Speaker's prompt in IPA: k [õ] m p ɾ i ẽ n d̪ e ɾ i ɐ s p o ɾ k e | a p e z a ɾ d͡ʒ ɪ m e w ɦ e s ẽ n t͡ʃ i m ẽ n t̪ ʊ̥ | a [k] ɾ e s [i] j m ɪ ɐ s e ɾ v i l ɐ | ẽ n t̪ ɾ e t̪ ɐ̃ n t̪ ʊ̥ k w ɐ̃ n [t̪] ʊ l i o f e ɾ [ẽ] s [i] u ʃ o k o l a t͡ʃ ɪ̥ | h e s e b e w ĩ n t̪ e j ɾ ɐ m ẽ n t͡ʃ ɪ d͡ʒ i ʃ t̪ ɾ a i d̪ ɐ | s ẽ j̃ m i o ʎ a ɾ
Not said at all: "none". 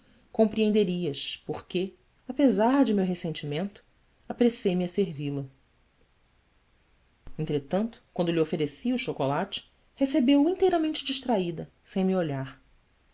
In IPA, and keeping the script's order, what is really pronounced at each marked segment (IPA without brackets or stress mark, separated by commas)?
õ, p, e, d̪, e, i